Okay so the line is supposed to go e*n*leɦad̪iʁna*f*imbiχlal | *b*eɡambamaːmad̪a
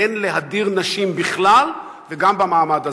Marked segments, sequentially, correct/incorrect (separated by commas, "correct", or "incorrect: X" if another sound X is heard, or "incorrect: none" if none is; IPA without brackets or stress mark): correct, incorrect: ʃ, incorrect: v